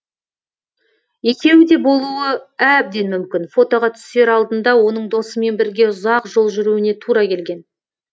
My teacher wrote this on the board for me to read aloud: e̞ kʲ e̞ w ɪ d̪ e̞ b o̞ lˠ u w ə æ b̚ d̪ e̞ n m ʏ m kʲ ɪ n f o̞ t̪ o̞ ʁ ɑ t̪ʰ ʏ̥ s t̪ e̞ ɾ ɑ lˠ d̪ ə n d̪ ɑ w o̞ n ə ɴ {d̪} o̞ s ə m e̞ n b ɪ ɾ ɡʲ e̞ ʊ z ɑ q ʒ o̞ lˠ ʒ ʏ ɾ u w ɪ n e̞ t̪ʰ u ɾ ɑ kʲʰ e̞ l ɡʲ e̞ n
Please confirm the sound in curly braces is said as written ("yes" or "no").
yes